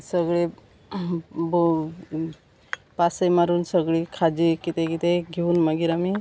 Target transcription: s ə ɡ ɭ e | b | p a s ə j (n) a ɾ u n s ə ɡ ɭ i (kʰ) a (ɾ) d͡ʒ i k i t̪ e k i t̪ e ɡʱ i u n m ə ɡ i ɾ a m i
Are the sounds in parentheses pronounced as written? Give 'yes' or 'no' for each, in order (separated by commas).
no, yes, no